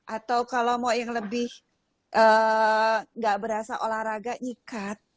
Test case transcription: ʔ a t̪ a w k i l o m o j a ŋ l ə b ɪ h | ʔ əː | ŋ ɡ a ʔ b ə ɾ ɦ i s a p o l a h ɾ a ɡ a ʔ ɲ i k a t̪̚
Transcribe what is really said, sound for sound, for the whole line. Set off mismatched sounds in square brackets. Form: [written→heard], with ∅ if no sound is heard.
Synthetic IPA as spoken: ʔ a t̪ a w k [i→a] l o m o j a ŋ l ə b ɪ h | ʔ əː | ŋ ɡ a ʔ b ə ɾ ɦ [i→a] s a [p→ʔ] o l a h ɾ a ɡ a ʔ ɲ i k a t̪̚